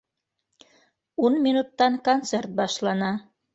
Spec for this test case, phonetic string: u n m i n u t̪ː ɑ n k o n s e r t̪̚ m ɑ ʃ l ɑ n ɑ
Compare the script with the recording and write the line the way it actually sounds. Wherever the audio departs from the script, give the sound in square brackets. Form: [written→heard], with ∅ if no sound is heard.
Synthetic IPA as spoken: u n m i n u t̪ː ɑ n k o n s e r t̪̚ [m→b] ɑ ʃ l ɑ n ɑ

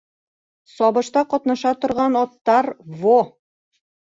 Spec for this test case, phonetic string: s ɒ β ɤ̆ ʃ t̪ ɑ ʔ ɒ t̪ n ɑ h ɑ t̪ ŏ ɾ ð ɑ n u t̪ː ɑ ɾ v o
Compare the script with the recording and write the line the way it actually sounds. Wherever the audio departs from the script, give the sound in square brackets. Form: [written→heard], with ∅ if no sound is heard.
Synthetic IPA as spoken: s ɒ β ɤ̆ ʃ t̪ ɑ [ʔ→q] ɒ t̪ n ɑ [h→ʃ] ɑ t̪ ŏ ɾ [ð→ʁ] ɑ n [u→ɒ] t̪ː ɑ ɾ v o

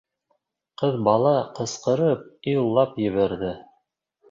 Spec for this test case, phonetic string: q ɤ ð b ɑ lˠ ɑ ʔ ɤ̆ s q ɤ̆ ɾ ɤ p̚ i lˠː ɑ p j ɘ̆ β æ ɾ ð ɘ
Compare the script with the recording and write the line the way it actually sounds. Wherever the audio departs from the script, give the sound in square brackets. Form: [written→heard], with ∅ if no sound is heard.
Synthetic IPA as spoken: q ɤ ð b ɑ lˠ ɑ [ʔ→q] ɤ̆ s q ɤ̆ ɾ ɤ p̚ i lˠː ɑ p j ɘ̆ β æ ɾ ð ɘ

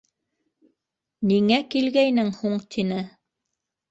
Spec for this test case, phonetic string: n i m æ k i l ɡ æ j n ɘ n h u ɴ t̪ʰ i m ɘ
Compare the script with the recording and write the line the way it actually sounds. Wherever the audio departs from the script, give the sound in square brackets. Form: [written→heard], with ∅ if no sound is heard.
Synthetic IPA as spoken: n i [m→ŋ] æ k i l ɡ æ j n ɘ [n→ŋ] h u ɴ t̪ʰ i [m→n] ɘ

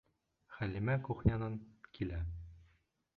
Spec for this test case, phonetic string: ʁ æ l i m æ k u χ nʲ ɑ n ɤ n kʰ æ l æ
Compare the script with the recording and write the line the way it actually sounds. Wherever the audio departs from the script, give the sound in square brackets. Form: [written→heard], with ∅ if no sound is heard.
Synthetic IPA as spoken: [ʁ→χ] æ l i m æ k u χ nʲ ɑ n ɤ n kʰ [æ→i] l æ

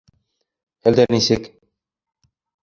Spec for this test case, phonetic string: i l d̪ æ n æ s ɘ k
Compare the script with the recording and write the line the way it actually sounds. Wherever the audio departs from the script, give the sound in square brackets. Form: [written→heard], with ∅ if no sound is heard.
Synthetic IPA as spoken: [i→æ] l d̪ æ n [æ→i] s ɘ k

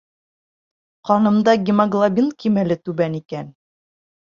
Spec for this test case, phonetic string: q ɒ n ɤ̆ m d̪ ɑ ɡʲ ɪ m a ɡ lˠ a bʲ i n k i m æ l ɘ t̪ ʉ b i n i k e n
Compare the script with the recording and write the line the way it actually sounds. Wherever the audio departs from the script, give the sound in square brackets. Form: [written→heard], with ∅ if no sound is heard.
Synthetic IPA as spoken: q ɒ n ɤ̆ m d̪ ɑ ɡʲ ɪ m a ɡ lˠ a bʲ i n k i m æ l ɘ t̪ ʉ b [i→æ] n i k [e→æ] n

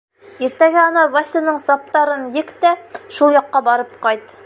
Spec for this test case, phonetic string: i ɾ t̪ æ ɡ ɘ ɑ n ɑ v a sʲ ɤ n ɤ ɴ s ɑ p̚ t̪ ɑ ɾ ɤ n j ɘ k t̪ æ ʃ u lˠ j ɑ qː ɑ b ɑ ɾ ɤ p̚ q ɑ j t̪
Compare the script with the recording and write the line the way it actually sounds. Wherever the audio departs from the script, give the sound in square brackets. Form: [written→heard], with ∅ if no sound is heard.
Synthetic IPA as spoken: i ɾ t̪ æ ɡ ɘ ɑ n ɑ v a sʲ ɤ n ɤ ɴ s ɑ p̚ t̪ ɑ ɾ ɤ n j ɘ k t̪ æ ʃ u lˠ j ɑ qː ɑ b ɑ ɾ ɤ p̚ q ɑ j t̪

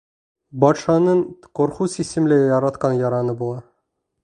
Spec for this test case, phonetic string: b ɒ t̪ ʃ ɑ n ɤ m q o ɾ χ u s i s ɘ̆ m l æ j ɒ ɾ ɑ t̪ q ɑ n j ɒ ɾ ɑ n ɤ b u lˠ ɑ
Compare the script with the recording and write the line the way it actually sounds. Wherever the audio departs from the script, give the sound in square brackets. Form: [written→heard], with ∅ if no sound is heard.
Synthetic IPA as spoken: b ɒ t̪ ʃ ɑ n ɤ [m→ɴ] q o ɾ χ u s i s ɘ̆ m l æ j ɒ ɾ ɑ t̪ q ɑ n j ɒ ɾ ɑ n ɤ b u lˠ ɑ

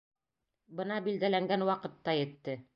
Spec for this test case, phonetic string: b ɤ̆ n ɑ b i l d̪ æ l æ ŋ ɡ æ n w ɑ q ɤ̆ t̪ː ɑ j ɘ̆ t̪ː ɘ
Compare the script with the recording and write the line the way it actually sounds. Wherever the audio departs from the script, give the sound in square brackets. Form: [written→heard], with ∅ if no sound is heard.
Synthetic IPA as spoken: b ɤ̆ n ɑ b i l d̪ æ l æ ŋ ɡ æ n w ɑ q ɤ̆ t̪ː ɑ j ɘ̆ t̪ː ɘ

